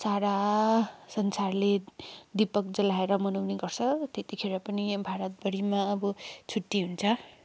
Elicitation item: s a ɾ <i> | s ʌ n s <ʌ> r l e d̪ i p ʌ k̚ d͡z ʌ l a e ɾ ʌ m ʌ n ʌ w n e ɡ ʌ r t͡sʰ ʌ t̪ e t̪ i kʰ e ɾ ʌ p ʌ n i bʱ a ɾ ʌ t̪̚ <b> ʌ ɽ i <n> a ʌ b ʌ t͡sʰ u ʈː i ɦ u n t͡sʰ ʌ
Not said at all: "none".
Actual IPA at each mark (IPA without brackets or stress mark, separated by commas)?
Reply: a, a, b, m